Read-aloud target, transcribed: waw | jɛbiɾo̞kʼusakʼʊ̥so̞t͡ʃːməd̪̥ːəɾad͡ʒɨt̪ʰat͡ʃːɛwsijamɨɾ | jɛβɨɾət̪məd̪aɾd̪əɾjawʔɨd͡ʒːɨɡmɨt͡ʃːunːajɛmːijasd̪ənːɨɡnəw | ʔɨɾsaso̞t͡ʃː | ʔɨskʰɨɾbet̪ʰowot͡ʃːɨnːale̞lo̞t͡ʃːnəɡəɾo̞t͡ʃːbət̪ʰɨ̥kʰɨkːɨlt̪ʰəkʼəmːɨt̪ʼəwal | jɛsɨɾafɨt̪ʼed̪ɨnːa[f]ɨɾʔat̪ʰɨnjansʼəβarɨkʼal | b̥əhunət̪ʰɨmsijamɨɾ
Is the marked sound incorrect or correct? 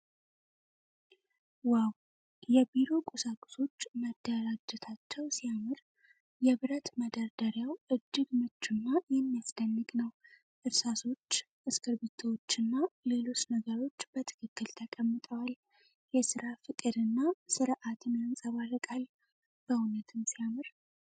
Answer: incorrect